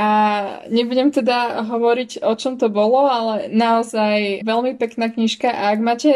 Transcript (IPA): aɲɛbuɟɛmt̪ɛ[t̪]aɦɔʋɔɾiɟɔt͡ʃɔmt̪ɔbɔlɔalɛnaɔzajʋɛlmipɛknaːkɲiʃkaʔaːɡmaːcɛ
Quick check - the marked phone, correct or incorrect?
incorrect